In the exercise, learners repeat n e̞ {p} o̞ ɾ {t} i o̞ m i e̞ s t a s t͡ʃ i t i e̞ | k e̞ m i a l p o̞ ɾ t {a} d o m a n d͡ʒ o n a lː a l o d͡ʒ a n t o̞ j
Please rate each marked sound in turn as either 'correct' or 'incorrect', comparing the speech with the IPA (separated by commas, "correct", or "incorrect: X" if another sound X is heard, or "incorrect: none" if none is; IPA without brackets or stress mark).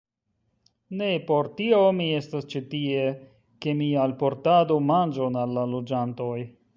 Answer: correct, correct, correct